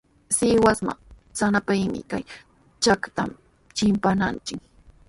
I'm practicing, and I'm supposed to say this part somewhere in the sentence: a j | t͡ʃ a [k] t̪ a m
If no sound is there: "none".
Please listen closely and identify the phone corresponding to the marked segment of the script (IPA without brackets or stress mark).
k